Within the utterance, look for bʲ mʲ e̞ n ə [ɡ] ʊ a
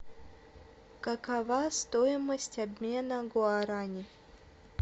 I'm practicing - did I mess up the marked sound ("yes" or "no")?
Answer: no